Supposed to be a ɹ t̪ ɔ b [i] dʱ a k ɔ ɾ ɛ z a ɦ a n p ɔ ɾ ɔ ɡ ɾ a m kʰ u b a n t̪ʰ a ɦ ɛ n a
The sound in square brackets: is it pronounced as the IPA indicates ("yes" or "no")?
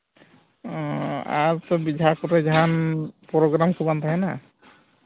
yes